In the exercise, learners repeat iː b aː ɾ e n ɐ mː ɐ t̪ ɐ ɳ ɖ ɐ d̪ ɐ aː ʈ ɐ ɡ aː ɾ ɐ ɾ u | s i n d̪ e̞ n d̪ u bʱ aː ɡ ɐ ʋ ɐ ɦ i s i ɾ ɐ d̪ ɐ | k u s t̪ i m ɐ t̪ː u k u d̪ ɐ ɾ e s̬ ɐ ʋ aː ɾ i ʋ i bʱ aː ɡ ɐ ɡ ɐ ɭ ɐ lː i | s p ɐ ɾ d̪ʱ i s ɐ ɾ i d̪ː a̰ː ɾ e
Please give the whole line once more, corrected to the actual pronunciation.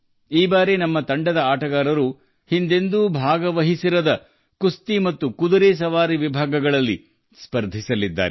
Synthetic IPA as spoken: iː b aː ɾ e n ɐ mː ɐ t̪ ɐ ɳ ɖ ɐ d̪ ɐ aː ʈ ɐ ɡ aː ɾ ɐ ɾ u | h i n d̪ e̞ n d̪ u bʱ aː ɡ ɐ ʋ ɐ ɦ i s i ɾ ɐ d̪ ɐ | k u s t̪ i m ɐ t̪ː u k u d̪ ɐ ɾ e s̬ ɐ ʋ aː ɾ i ʋ i bʱ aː ɡ ɐ ɡ ɐ ɭ ɐ lː i | s p ɐ ɾ d̪ʱ i s ɐ l i d̪ː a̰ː ɾ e